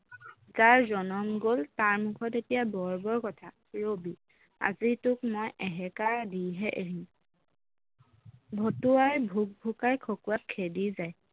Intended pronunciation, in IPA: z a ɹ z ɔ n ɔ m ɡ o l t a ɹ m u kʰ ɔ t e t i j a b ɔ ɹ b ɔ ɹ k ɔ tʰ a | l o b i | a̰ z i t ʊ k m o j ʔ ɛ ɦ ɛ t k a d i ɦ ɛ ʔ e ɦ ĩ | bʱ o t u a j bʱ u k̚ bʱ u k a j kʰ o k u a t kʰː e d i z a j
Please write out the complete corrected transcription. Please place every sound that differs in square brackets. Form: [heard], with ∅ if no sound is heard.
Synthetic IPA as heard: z a ɹ z ɔ n ɔ m ɡ o l t a ɹ m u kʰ ɔ t e t i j a b ɔ ɹ b ɔ ɹ k ɔ tʰ a | [ɹ] o b i | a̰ z i t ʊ k m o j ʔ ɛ ɦ ɛ [∅] k a d i ɦ ɛ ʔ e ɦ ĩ | bʱ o t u a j bʱ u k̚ bʱ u k a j kʰ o k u a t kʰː e d i z a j